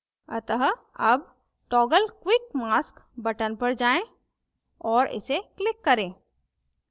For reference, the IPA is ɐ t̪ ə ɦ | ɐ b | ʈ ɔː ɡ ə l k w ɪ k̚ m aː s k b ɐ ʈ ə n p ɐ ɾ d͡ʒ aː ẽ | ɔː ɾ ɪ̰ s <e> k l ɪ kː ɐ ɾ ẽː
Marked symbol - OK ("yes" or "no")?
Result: yes